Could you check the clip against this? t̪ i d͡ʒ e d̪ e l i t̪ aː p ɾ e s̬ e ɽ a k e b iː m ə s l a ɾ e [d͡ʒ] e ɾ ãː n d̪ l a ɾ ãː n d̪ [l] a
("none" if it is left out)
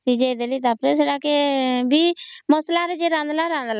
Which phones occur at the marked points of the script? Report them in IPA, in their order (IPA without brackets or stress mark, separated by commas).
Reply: d͡ʒ, l